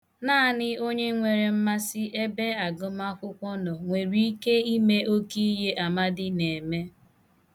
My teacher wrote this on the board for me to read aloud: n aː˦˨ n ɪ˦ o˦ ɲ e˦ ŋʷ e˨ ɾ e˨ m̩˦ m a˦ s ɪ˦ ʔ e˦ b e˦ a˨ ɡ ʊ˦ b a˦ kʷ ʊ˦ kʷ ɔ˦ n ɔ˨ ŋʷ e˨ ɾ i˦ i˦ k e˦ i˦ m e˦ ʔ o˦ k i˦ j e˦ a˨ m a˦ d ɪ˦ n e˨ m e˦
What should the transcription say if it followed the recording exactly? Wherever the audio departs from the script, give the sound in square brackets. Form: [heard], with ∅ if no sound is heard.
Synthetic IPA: n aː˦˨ n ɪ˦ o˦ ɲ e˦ ŋʷ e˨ ɾ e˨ m̩˦ m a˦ s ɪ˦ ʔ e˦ b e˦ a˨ ɡ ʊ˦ [m] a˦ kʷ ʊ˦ kʷ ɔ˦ n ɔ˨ ŋʷ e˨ ɾ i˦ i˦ k e˦ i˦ m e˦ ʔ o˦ k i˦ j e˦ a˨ m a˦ d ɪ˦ n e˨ m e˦